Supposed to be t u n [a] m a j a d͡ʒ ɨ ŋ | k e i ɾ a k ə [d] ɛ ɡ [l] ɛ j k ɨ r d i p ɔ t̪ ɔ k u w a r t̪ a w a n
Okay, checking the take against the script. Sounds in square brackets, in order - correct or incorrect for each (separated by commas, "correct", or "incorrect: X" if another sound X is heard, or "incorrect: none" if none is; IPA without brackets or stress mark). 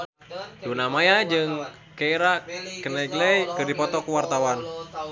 correct, incorrect: n, correct